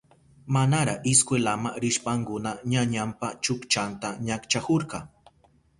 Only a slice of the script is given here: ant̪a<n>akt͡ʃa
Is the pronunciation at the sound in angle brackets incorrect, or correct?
incorrect